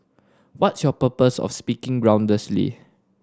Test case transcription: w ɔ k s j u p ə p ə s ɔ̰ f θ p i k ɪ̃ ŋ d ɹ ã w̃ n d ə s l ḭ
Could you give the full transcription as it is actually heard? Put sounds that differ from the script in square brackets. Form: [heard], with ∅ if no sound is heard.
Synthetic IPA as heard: w ɔ [t] s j [ɔ] p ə p ə s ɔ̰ f [s] p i k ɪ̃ ŋ [ɡ] ɹ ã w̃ n d ə s l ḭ